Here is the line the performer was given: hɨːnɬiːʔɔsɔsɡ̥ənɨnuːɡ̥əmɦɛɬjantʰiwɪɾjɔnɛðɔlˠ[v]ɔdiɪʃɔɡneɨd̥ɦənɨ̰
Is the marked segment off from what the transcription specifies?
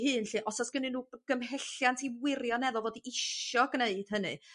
no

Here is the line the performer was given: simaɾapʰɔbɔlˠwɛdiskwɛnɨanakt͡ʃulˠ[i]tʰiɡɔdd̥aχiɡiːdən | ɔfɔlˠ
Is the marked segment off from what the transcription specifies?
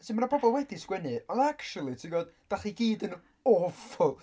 no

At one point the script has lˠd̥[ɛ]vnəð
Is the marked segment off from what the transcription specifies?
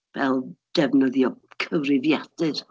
no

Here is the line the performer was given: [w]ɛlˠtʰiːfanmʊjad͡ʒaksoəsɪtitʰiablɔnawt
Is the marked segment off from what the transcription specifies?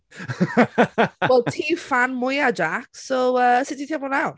no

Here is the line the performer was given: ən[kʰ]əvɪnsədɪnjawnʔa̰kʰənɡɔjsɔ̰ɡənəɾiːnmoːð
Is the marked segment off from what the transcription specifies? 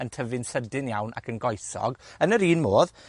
yes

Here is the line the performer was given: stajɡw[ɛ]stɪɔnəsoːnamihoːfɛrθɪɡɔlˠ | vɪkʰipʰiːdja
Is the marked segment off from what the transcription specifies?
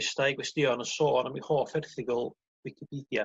no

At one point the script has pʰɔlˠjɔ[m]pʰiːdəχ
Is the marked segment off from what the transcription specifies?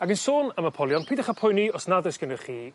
yes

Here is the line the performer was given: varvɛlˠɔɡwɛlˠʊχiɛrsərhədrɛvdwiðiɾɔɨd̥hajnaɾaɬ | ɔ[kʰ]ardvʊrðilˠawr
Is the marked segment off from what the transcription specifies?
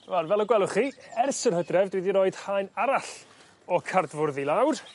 no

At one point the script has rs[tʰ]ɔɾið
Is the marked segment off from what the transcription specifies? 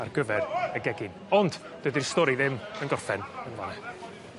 yes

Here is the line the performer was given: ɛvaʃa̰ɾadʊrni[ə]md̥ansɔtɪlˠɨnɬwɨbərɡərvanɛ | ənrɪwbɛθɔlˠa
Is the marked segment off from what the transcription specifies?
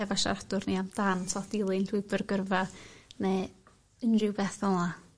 yes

